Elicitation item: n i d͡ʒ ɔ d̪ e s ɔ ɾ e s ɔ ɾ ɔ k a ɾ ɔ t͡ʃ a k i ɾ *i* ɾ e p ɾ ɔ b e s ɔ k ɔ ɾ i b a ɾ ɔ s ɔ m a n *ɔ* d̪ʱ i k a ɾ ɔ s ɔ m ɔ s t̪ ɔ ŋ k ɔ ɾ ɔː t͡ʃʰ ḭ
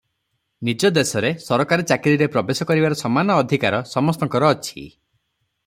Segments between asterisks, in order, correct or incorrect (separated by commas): correct, incorrect